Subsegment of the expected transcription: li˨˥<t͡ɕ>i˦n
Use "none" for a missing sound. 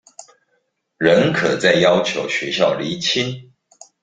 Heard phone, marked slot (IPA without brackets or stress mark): t͡ɕʰ